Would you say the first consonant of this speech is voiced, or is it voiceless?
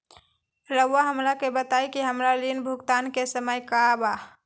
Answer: voiced